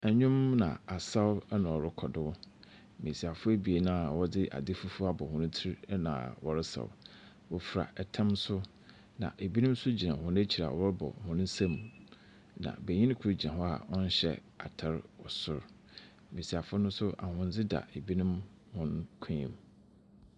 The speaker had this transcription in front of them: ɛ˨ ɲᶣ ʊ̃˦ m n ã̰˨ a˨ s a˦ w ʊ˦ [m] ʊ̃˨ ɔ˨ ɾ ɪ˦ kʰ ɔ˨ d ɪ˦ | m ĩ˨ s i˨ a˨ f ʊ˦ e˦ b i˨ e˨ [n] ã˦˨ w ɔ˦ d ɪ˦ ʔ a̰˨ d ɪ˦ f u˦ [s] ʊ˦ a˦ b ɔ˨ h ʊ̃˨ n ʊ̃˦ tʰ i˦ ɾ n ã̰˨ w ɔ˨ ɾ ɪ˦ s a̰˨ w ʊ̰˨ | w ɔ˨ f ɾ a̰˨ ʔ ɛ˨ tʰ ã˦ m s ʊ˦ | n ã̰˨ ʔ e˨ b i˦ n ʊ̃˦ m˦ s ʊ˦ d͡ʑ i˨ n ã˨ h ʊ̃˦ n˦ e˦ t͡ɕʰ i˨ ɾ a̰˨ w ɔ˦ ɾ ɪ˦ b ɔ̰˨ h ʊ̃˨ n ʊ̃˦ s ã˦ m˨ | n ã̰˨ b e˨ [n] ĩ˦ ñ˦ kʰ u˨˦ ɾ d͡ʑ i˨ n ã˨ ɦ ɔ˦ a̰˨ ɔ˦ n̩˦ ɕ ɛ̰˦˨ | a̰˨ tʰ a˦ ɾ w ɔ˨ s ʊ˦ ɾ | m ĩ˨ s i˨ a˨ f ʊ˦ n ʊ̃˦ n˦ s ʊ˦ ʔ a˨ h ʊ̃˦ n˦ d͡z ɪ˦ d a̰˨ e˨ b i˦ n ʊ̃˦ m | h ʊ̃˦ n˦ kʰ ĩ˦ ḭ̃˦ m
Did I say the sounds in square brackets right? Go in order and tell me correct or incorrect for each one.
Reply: incorrect: n, correct, incorrect: f, incorrect: ɲ

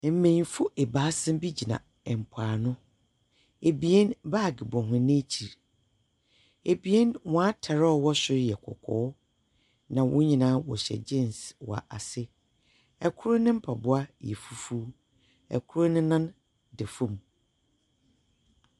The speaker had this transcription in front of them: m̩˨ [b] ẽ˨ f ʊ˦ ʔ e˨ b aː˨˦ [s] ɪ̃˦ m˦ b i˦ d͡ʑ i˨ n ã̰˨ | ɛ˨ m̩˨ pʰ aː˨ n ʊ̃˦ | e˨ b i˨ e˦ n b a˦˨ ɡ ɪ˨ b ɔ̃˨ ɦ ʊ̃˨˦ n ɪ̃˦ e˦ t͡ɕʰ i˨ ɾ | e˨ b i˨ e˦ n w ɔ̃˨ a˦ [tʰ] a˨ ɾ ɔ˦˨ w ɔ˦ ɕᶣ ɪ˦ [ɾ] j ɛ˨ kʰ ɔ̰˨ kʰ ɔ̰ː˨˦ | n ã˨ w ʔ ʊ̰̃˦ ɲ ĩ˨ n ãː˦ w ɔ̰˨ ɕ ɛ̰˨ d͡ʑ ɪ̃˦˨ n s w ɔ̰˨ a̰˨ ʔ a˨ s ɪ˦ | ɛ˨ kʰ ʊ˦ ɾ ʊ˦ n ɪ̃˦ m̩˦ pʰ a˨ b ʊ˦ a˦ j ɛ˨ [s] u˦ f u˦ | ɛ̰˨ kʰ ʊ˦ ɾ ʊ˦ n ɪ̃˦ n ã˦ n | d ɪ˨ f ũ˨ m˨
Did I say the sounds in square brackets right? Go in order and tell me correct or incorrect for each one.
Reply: incorrect: m, correct, correct, correct, incorrect: f

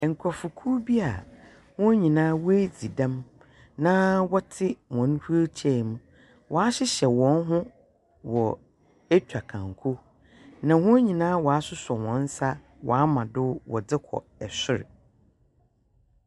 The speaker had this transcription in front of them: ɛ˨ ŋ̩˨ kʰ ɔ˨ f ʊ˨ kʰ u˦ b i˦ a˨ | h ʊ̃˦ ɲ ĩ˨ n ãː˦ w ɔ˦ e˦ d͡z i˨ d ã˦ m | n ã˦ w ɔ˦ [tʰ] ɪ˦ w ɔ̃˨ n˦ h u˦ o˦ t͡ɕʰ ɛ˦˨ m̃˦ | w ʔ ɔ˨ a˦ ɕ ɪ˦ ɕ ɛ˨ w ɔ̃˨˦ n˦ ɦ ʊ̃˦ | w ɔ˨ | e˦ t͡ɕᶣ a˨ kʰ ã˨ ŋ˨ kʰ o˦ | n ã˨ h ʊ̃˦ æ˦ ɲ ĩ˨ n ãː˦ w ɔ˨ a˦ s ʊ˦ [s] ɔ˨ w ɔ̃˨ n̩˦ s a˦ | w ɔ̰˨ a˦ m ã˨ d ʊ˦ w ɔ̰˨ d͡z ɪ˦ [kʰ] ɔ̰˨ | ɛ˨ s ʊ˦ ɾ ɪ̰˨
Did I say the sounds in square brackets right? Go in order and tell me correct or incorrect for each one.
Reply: correct, correct, correct

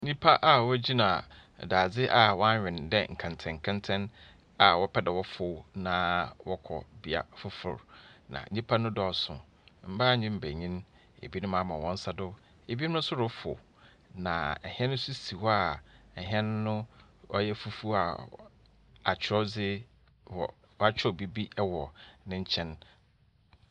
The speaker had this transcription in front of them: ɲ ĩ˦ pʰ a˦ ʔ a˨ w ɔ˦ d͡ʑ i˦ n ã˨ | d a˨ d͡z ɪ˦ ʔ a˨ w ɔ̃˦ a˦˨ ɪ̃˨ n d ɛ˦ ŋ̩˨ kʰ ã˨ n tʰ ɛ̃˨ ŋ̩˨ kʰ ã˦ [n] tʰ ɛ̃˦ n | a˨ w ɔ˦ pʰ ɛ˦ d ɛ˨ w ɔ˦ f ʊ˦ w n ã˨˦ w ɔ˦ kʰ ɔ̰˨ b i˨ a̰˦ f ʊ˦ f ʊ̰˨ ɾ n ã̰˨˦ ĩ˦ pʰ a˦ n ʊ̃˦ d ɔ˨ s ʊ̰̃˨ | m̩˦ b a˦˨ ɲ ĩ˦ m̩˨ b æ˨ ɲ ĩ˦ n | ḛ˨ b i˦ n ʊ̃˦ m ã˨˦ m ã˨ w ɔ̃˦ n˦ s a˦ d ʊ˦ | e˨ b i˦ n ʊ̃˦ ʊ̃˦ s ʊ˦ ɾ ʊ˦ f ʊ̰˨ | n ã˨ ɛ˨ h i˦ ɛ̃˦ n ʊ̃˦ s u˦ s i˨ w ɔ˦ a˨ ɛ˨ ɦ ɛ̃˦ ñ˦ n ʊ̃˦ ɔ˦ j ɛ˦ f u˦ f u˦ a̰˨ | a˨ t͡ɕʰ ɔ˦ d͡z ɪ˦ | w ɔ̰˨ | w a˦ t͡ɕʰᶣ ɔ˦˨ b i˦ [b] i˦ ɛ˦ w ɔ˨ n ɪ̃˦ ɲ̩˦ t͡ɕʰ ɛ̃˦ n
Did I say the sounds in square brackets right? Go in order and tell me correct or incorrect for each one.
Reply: correct, correct

